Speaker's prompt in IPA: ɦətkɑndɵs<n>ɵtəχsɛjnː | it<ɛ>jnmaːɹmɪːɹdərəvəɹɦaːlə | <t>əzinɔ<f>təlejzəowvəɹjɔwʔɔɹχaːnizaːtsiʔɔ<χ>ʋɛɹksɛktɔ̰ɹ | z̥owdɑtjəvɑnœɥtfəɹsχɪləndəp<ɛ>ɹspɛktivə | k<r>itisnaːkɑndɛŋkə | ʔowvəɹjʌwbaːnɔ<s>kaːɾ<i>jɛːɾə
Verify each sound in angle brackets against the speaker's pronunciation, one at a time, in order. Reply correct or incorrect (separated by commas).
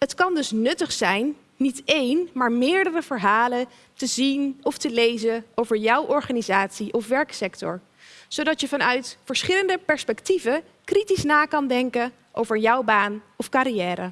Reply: correct, incorrect, correct, correct, incorrect, correct, correct, incorrect, correct